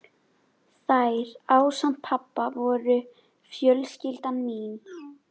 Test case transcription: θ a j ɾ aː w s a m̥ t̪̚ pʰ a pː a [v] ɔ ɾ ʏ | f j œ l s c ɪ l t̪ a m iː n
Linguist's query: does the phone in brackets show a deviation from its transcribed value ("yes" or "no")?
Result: no